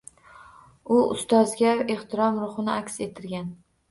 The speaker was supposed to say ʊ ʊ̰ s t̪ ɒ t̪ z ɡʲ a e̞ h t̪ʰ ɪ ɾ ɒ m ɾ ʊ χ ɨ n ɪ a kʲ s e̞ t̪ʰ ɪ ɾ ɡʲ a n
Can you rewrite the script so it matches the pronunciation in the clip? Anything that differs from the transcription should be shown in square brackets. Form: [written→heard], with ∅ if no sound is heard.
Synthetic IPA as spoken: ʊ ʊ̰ s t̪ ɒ [t̪→∅] z ɡʲ a e̞ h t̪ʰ ɪ ɾ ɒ m ɾ ʊ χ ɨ n ɪ a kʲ s e̞ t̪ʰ ɪ ɾ ɡʲ a n